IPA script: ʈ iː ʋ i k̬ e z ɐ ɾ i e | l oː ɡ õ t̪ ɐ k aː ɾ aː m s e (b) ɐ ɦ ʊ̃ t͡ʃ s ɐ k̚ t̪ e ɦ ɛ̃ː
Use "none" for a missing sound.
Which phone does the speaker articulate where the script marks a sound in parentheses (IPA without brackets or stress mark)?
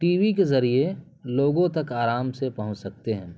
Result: p